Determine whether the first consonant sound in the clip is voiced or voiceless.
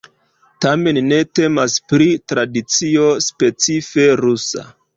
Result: voiceless